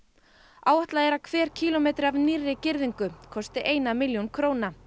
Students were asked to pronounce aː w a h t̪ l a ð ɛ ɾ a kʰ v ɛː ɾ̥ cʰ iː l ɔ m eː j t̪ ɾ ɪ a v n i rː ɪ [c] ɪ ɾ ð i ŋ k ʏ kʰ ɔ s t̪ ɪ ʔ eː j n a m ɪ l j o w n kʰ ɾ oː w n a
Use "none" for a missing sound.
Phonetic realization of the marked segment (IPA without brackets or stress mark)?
c